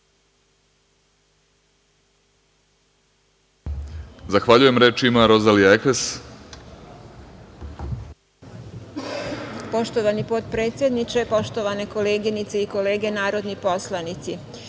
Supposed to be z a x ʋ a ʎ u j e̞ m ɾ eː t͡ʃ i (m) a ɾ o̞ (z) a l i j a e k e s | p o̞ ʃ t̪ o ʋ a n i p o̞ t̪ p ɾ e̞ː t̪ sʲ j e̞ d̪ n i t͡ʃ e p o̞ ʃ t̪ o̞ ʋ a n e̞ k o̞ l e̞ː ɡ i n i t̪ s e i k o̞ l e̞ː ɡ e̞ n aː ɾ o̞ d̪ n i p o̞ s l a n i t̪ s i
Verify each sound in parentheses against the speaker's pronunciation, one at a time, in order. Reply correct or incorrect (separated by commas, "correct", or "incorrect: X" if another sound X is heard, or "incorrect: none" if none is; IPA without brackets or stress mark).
correct, correct